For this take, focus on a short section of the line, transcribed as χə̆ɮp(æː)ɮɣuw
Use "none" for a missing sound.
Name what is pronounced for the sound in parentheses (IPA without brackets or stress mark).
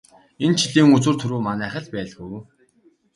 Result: æː